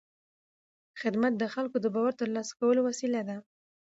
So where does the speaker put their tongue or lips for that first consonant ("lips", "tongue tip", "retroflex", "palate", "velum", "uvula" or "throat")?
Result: velum